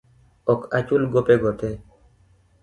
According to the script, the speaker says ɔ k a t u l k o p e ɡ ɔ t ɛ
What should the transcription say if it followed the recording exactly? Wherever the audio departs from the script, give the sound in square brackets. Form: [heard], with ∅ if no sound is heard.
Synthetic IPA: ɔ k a [t͡ʃ] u l [ɡ] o p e ɡ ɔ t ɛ